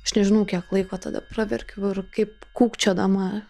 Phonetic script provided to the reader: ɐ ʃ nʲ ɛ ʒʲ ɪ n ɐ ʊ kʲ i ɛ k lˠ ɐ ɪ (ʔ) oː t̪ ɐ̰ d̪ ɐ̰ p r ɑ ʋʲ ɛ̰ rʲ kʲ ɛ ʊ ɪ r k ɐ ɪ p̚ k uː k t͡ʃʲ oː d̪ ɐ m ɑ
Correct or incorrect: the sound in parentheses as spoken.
incorrect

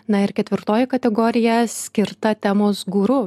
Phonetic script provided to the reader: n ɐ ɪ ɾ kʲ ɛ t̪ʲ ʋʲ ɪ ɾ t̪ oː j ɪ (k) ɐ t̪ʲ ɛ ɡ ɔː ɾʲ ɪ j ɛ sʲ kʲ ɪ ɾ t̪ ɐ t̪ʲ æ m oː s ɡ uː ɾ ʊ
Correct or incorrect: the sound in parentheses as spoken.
correct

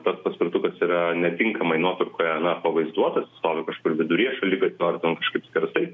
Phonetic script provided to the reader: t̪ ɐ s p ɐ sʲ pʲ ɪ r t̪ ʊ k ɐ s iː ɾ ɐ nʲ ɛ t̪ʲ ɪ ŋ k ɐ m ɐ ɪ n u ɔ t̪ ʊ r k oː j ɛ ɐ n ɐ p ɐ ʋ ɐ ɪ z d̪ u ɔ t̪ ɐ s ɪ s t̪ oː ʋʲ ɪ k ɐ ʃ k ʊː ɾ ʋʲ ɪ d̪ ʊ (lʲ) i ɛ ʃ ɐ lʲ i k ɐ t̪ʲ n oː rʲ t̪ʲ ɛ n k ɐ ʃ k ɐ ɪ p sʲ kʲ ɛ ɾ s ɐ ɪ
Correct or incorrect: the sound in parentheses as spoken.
incorrect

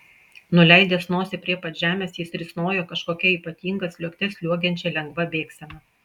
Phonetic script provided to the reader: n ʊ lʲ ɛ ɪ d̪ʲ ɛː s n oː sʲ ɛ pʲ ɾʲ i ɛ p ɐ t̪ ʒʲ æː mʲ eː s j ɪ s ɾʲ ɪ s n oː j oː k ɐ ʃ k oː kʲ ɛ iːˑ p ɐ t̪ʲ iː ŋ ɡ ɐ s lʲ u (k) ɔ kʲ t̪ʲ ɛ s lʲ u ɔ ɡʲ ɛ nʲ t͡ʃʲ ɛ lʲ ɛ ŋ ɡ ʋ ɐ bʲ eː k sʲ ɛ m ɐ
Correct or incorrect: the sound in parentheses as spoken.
incorrect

